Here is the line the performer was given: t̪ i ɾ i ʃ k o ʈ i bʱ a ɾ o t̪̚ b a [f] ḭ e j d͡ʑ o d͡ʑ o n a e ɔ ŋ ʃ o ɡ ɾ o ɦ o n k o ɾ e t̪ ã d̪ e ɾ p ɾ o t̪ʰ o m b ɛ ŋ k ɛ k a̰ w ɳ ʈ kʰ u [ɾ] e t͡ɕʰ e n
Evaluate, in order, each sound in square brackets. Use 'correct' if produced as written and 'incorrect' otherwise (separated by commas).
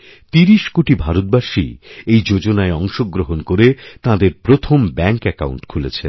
incorrect, incorrect